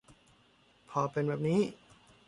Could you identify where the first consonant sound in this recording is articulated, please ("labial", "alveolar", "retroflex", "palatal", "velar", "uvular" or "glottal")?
labial